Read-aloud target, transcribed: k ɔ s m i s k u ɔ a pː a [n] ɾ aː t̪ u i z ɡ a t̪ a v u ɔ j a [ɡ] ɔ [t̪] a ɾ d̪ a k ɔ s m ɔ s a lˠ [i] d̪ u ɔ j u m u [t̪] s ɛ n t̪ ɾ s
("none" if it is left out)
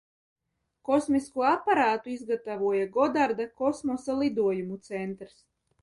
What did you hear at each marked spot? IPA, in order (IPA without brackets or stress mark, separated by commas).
none, ɡ, d̪, i, t̪